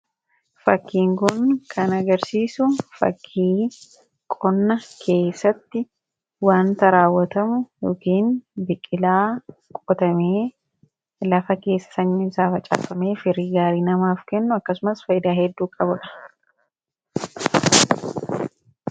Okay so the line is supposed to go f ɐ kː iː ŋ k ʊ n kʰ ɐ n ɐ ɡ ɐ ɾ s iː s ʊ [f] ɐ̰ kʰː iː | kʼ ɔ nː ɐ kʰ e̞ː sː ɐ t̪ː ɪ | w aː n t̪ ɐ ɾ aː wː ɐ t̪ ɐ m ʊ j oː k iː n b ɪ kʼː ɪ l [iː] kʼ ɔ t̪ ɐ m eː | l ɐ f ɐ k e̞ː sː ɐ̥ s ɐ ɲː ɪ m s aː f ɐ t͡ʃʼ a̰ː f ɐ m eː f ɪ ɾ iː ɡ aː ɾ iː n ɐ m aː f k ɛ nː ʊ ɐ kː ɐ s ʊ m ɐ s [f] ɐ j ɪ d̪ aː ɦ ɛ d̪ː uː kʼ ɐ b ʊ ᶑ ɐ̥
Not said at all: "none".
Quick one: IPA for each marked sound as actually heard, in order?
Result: f, aː, f

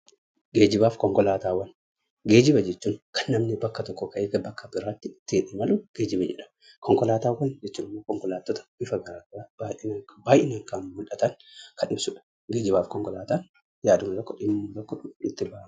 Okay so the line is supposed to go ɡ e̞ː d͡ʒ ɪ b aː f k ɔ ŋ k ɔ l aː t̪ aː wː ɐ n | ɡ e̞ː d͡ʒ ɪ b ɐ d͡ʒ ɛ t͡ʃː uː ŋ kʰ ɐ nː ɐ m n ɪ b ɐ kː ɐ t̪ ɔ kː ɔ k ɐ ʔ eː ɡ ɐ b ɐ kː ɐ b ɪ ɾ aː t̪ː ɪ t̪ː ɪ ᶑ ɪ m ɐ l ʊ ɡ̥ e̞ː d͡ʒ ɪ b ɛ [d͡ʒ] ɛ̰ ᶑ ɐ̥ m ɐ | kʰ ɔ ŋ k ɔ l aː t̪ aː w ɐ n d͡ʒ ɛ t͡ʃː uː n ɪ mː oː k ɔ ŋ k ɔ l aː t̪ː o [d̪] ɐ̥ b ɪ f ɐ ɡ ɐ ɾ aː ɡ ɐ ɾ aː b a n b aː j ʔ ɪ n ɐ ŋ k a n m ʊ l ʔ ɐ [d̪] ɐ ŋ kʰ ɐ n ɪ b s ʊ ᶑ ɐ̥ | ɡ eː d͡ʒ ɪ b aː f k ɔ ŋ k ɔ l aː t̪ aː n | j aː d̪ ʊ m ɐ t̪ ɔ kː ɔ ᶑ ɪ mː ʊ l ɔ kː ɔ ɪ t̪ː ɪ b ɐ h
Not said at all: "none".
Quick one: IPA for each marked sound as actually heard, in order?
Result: d͡ʒ, t̪, t̪

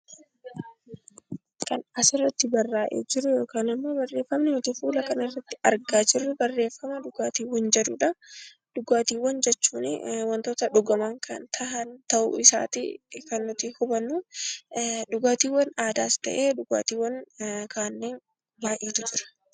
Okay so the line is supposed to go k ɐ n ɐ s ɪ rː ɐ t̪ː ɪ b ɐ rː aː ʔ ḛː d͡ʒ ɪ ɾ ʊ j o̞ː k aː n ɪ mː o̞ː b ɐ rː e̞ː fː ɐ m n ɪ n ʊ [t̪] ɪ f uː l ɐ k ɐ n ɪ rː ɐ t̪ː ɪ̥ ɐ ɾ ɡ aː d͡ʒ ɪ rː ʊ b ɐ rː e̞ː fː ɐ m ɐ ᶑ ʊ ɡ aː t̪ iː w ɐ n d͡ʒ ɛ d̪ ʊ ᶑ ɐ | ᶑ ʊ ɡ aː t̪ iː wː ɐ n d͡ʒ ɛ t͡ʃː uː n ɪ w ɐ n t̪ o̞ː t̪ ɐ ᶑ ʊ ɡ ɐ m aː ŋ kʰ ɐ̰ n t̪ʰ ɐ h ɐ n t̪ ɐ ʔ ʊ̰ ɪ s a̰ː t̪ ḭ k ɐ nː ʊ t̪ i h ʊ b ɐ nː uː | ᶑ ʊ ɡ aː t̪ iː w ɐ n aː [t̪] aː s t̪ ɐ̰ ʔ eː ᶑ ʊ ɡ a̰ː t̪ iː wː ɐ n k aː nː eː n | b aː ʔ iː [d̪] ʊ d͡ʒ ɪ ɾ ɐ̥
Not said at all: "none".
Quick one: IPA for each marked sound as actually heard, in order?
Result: t̪, d̪, t̪

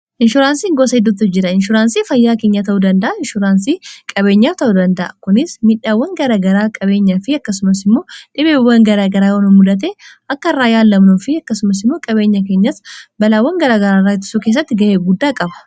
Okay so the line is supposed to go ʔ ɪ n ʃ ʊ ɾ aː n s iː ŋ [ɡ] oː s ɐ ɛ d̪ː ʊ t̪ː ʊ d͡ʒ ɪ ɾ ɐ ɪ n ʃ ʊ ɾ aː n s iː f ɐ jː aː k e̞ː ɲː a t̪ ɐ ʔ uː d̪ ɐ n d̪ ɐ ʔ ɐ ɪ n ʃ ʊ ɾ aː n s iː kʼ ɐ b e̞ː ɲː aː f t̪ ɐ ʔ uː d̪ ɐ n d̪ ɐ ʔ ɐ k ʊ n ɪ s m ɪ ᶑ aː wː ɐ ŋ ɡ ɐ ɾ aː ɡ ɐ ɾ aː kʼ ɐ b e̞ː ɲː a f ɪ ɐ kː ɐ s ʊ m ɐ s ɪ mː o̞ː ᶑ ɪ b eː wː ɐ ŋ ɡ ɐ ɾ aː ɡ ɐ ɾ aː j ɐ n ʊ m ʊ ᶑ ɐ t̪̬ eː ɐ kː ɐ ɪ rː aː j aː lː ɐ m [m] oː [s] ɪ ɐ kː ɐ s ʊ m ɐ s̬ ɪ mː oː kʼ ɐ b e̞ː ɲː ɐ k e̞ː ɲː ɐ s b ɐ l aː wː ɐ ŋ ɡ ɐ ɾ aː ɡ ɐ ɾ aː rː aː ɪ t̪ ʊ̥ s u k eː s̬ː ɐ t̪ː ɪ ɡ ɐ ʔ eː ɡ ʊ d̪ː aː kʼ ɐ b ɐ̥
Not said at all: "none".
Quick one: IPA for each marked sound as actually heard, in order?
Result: ɡ, n, f

